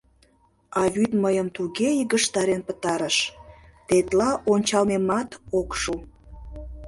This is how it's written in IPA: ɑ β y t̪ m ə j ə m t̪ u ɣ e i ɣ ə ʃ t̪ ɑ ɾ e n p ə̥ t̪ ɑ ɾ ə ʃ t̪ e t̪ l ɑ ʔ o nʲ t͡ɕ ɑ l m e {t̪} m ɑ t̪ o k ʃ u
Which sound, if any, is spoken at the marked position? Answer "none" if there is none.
none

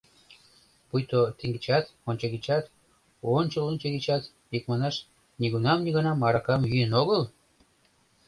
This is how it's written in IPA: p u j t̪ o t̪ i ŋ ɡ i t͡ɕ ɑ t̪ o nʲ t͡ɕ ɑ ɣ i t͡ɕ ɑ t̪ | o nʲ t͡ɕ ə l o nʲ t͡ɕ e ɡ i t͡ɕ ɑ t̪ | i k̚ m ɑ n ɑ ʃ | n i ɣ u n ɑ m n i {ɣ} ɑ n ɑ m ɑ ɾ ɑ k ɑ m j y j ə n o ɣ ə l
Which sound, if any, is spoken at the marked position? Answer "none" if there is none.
ɣ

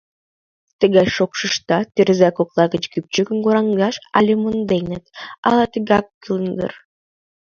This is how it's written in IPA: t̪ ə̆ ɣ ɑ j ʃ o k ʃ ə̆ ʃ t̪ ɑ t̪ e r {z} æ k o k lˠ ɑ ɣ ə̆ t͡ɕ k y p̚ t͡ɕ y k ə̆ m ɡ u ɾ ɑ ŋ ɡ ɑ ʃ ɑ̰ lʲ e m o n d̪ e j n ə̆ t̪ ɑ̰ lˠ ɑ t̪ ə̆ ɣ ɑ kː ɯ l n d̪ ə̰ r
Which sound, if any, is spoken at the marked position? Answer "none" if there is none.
z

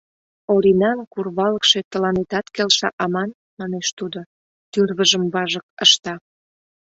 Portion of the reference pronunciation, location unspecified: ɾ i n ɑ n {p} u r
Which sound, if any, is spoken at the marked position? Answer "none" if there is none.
k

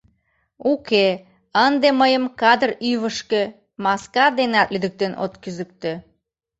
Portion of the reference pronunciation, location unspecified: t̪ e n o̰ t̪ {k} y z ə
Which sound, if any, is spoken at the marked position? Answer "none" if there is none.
k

